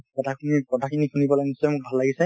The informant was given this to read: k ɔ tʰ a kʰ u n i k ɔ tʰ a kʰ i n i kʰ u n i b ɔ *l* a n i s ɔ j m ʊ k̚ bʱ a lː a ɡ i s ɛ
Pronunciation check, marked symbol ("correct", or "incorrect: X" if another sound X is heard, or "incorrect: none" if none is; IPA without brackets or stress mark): correct